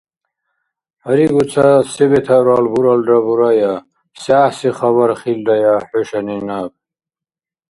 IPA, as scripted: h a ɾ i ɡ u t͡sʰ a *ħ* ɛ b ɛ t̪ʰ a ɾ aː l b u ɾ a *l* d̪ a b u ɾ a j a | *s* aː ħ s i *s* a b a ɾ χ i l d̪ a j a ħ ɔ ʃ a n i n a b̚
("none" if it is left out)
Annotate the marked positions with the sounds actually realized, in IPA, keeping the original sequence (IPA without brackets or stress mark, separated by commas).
s, l, s, χ